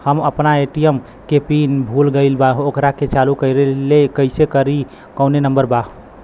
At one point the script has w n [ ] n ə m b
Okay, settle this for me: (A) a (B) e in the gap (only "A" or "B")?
B